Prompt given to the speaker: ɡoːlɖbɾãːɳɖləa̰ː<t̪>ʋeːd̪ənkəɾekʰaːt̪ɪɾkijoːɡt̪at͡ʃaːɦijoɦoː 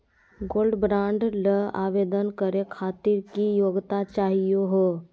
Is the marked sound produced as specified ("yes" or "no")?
no